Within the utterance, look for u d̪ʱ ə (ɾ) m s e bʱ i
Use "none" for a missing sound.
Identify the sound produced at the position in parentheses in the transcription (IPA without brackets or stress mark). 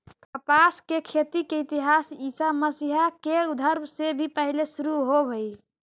ɾ